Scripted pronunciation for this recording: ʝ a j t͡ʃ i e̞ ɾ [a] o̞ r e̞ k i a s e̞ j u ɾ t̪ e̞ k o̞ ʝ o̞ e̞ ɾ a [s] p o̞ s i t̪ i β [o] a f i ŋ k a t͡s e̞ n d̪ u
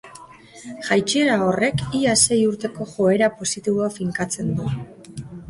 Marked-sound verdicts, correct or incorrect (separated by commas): correct, incorrect, correct